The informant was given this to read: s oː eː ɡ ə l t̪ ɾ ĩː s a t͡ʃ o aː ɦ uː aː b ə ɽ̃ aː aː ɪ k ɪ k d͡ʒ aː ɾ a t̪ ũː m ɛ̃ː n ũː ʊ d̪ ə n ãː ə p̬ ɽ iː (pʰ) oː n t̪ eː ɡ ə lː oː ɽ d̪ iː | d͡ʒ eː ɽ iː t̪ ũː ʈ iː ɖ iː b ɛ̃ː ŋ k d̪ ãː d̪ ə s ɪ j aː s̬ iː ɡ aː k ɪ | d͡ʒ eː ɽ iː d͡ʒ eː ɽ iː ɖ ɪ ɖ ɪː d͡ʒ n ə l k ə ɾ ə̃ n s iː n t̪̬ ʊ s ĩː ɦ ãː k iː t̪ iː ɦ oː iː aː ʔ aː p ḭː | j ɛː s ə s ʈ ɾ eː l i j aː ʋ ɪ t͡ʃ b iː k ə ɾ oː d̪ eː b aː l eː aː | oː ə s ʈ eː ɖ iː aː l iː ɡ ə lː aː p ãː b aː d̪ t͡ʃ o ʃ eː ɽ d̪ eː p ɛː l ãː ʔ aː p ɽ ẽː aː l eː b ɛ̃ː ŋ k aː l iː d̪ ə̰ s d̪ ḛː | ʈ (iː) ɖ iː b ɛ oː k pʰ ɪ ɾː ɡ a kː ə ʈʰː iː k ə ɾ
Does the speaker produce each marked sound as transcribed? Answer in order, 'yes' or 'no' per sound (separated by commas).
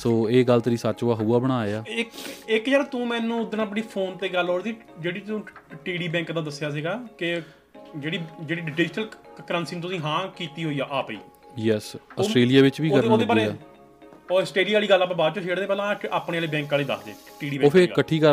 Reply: yes, yes